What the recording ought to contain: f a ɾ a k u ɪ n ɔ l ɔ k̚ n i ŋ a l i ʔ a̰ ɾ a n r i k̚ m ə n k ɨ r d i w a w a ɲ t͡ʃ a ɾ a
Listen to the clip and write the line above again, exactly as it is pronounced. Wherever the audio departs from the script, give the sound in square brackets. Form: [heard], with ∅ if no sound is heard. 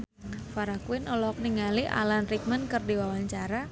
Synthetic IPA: f a ɾ a k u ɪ n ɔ l ɔ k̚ n i ŋ a l i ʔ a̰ [l] a n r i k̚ m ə n k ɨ r d i w a w a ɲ t͡ʃ a ɾ a